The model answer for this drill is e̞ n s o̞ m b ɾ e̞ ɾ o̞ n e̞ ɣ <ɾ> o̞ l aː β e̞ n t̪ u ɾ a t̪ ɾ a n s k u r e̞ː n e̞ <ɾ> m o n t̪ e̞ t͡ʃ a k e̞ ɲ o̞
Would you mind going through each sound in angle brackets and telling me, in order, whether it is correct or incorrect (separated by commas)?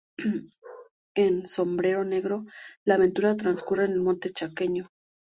correct, incorrect